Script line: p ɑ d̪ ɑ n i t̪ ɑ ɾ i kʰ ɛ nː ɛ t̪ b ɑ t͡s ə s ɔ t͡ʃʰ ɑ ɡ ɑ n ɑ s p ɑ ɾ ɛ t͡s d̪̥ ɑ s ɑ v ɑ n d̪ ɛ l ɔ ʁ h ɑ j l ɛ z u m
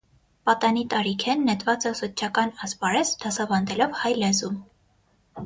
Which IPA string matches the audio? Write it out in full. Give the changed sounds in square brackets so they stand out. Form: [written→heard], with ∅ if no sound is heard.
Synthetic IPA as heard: p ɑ [d̪→t̪] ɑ n i t̪ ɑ ɾ i kʰ ɛ nː ɛ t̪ [b→v] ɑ t͡s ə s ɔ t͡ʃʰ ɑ [ɡ→k] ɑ n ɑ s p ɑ ɾ ɛ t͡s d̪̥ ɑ s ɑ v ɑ n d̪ ɛ l ɔ [ʁ→v] h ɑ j l ɛ z u m